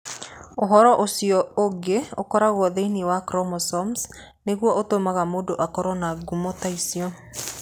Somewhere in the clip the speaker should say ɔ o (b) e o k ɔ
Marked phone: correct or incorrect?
incorrect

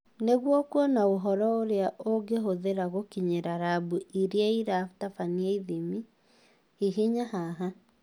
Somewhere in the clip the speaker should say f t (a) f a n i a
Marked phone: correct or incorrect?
correct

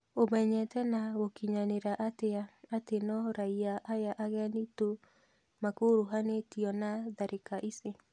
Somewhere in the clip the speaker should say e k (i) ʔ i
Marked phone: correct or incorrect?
incorrect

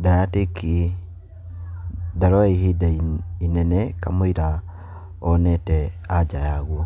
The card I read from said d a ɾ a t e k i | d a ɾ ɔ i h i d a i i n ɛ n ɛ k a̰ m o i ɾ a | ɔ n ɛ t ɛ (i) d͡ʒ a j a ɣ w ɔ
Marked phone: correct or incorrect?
incorrect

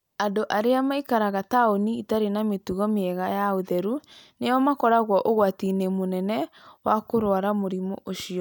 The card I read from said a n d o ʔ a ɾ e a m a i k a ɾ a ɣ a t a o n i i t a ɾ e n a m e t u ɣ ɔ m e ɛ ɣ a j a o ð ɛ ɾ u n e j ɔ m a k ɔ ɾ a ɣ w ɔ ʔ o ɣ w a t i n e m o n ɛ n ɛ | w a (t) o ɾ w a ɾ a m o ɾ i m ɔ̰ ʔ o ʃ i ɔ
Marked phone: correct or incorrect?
incorrect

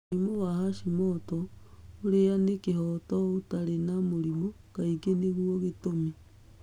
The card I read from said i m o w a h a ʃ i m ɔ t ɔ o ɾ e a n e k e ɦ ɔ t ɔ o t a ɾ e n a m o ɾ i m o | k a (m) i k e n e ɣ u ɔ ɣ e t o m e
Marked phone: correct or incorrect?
incorrect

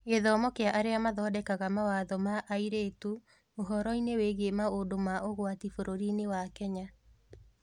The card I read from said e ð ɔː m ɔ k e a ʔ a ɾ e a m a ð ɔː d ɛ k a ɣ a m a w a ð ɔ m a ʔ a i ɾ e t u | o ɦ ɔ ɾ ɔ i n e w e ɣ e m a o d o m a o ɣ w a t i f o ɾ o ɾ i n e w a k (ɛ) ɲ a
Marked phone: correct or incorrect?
correct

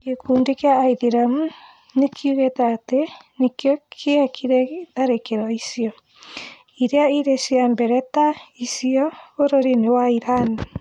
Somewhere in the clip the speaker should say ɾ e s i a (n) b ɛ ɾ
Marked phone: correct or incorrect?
incorrect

